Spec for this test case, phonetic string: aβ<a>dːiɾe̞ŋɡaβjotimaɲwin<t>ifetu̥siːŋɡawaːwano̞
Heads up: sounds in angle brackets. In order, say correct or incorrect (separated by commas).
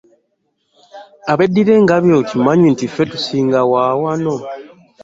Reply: incorrect, correct